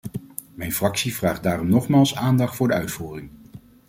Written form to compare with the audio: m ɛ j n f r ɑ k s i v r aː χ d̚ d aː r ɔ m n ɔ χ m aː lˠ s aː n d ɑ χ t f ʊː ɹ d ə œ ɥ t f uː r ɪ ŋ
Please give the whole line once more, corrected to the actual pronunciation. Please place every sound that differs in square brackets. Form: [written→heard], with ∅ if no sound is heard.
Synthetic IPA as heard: m ɛ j n f r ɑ k s i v r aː χ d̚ d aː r ɔ m n ɔ χ m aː lˠ s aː n d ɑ χ t f ʊː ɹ d ə œ ɥ t f uː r ɪ ŋ